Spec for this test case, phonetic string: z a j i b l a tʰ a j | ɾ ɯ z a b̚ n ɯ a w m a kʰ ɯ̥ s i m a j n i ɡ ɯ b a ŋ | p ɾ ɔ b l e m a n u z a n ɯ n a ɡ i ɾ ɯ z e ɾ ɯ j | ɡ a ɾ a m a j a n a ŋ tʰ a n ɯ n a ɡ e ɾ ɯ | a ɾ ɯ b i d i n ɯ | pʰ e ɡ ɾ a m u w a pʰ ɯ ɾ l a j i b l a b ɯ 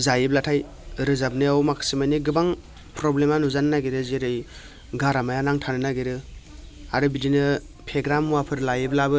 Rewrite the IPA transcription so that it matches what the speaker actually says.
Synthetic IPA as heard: z a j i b l a tʰ a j | ɾ ɯ z a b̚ n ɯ a w m a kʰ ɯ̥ s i m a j n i ɡ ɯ b a ŋ | p ɾ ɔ b l e m a n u z a n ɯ n a ɡ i ɾ ɯ z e ɾ ɯ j | ɡ a ɾ a m a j a n a ŋ tʰ a n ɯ n a ɡ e ɾ ɯ | a ɾ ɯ b i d i n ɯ | pʰ e ɡ ɾ a m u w a pʰ ɯ ɾ l a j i b l a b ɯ